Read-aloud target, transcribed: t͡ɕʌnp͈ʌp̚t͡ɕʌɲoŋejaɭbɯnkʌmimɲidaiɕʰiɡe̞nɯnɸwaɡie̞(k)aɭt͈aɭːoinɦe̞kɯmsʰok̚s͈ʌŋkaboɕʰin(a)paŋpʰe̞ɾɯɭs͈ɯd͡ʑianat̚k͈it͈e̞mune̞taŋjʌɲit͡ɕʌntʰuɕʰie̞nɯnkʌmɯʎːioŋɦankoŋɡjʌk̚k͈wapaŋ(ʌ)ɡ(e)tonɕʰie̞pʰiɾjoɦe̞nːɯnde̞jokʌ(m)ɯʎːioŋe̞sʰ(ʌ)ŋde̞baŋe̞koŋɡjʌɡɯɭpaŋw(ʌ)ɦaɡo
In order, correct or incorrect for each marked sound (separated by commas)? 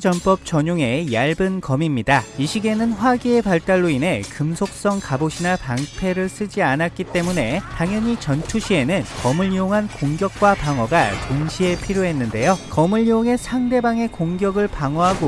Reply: incorrect, correct, correct, incorrect, correct, incorrect, correct